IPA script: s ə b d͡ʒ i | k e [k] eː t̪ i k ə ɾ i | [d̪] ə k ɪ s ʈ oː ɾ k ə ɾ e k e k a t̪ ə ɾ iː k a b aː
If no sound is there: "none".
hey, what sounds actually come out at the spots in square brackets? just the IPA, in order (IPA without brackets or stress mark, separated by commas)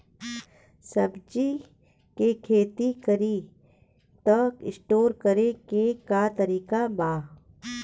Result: kʰ, t̪